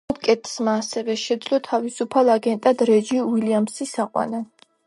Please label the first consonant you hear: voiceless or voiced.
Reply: voiceless